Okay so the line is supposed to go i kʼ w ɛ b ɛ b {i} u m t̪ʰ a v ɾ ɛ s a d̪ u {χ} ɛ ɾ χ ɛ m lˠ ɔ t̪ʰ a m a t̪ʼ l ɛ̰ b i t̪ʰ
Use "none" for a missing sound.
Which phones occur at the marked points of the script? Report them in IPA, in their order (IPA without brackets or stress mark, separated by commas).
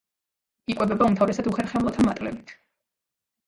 a, χ